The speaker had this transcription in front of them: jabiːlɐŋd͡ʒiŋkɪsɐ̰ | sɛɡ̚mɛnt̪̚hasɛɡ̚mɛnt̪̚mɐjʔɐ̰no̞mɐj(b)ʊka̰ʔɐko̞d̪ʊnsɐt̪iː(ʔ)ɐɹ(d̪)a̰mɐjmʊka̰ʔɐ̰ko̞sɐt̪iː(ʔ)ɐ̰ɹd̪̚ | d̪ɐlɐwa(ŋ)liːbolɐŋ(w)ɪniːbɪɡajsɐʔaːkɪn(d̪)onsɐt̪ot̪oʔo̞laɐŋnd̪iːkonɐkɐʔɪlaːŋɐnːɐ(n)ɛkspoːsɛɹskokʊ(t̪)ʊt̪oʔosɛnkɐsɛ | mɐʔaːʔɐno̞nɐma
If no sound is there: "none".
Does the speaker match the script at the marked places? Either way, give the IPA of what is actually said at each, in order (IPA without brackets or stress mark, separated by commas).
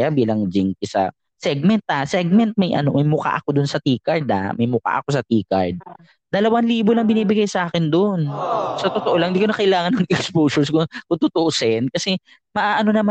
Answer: m, k, d̪, k, n, b, d̪, ŋ, t̪